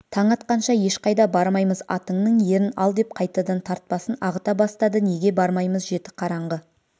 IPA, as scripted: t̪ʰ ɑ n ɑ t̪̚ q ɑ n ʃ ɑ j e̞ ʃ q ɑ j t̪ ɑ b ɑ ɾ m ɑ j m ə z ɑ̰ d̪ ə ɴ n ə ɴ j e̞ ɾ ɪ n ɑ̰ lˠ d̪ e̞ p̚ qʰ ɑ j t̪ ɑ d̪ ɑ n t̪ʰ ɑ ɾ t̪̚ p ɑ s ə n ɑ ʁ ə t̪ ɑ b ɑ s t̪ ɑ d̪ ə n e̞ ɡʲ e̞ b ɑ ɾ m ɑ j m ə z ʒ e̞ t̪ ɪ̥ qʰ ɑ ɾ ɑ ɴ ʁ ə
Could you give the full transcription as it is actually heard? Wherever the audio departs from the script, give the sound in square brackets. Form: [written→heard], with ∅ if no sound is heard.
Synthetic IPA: t̪ʰ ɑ [n→ɴ] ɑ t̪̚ q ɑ n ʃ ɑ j e̞ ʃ q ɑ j [t̪→d̪] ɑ b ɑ ɾ m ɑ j m ə z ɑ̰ [d̪→t̪] ə ɴ n ə ɴ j e̞ ɾ ɪ n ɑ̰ lˠ d̪ e̞ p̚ qʰ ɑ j t̪ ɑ d̪ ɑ n t̪ʰ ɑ ɾ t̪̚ p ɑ s ə n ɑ ʁ ə t̪ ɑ b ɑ s t̪ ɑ d̪ ə n e̞ ɡʲ e̞ b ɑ ɾ m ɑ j m ə z ʒ e̞ t̪ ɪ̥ qʰ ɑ ɾ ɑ ɴ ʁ ə